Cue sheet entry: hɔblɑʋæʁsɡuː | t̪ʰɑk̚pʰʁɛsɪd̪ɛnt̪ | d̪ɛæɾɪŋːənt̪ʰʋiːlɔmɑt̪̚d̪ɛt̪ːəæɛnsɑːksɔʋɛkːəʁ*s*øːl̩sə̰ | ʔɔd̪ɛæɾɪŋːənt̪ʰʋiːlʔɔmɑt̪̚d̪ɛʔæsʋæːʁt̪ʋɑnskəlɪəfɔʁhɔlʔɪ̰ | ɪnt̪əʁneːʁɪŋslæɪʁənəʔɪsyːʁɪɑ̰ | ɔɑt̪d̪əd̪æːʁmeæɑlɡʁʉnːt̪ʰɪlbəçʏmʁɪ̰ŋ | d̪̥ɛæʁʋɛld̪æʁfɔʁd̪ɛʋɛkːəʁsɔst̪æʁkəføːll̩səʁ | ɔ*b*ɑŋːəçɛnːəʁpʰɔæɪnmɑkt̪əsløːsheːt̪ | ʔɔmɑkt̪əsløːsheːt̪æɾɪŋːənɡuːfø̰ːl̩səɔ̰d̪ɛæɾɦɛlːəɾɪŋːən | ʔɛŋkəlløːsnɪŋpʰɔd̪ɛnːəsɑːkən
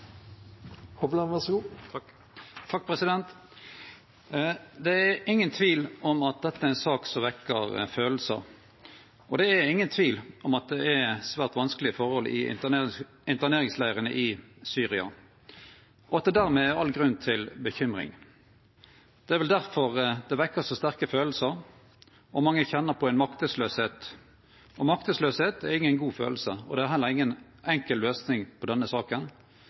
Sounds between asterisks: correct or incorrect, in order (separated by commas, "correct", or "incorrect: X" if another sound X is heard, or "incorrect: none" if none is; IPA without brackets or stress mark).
incorrect: f, incorrect: m